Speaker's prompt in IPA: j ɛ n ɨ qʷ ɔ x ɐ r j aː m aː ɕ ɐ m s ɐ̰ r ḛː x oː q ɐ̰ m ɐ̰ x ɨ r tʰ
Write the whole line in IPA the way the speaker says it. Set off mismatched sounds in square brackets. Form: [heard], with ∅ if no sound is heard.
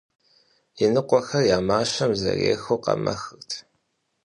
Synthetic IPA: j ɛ n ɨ qʷ ɔ x ɐ r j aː m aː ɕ ɐ m [z] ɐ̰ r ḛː x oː q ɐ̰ m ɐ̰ x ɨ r tʰ